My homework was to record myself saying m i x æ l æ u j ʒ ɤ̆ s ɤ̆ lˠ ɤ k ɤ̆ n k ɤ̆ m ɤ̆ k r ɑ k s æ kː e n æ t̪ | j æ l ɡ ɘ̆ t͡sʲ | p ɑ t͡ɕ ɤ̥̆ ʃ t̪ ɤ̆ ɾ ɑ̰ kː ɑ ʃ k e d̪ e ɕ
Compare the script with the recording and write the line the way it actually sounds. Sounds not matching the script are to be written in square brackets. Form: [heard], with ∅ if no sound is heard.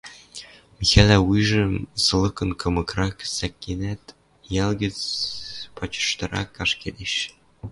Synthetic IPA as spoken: m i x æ l æ u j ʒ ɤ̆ s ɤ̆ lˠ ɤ k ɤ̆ n k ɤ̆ m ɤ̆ k r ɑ k s æ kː e n æ t̪ | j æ l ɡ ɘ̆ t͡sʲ | p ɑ t͡ɕ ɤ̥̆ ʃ t̪ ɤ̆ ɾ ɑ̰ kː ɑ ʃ k e d̪ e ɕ